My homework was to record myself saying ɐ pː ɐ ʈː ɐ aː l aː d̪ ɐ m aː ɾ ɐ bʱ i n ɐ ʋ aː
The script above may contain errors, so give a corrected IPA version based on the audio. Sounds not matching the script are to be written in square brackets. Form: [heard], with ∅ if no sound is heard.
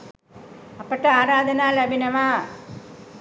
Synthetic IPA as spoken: ɐ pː ɐ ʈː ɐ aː [ɾ] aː d̪ ɐ [n] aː [l] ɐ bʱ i n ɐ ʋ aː